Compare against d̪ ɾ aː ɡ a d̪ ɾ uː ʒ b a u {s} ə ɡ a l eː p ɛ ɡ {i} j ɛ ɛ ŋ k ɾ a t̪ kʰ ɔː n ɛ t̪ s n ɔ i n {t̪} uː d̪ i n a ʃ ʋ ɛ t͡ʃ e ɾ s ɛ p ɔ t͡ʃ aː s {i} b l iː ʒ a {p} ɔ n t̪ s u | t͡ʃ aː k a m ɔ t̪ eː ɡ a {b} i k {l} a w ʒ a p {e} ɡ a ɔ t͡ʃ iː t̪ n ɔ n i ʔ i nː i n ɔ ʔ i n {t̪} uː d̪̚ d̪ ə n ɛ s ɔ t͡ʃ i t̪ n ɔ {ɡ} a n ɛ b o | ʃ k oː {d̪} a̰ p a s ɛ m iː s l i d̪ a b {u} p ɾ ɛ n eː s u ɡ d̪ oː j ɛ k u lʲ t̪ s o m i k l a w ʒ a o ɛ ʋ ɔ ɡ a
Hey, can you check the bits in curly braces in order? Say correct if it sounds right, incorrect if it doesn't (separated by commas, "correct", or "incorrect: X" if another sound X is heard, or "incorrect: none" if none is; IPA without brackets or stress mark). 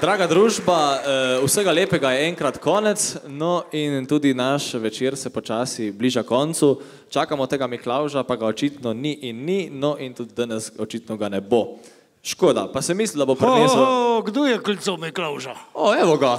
correct, incorrect: a, correct, correct, incorrect: k, incorrect: m, correct, incorrect: a, correct, correct, correct, incorrect: o